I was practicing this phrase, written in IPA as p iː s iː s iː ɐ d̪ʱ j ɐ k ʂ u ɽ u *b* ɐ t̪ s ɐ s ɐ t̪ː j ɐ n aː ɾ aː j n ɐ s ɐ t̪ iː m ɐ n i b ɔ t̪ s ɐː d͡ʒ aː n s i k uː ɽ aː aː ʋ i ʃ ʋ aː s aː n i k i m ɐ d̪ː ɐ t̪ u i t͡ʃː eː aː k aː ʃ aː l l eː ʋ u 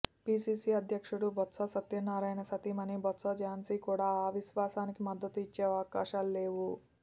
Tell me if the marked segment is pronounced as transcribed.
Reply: yes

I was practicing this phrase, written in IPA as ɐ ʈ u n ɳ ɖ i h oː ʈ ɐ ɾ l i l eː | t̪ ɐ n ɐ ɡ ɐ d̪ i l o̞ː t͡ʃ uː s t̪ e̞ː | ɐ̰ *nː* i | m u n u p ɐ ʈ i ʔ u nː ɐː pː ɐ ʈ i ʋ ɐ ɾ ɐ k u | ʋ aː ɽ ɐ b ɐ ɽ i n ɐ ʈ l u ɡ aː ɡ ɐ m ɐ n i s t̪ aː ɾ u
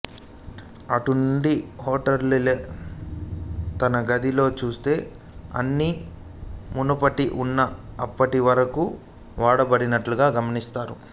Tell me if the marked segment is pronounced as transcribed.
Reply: yes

